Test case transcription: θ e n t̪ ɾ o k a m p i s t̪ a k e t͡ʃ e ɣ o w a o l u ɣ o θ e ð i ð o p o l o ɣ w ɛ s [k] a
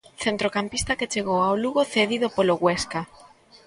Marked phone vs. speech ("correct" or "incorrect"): correct